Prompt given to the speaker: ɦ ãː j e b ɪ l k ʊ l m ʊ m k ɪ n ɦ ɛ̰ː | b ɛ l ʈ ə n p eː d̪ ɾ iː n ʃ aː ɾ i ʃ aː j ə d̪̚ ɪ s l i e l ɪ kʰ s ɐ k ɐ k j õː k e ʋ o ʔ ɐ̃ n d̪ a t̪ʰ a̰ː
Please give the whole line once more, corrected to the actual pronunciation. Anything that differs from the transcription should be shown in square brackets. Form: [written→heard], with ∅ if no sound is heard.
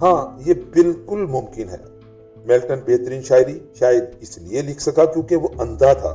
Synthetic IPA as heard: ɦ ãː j e b ɪ l k ʊ l m ʊ m k ɪ n ɦ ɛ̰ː | [b→m] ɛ l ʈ ə n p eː [d̪→t̪] ɾ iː n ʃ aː ɾ i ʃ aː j ə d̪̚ ɪ s l i e l ɪ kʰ s ɐ k [ɐ→a] k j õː k e ʋ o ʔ ɐ̃ n d̪ a t̪ʰ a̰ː